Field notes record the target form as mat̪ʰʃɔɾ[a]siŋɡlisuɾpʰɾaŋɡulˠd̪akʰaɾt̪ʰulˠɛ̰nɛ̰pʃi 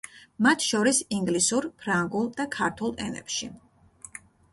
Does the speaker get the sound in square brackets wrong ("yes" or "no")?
yes